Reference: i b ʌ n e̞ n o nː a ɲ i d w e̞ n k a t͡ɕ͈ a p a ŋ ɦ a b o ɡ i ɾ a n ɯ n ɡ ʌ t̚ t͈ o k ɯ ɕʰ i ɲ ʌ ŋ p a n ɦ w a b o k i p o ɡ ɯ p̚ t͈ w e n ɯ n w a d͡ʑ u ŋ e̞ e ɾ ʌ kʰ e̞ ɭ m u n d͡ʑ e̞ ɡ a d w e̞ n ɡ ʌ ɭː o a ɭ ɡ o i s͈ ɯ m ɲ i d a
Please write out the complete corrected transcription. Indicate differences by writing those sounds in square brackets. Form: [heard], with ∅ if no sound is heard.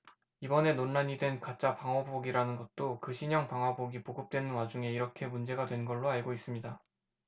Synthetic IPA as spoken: i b ʌ n e̞ n o nː a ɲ i d w e̞ n k a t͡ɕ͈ a p a ŋ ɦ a b o ɡ i ɾ a n ɯ n ɡ ʌ t̚ t͈ o k ɯ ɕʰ i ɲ ʌ ŋ p a [ŋ] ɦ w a b o [ɡ] i p o ɡ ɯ p̚ t͈ w e n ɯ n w a d͡ʑ u ŋ e̞ [i] ɾ ʌ kʰ e̞ [∅] m u n d͡ʑ e̞ ɡ a d w e̞ n ɡ ʌ ɭː o a ɭ ɡ o i s͈ ɯ m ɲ i d a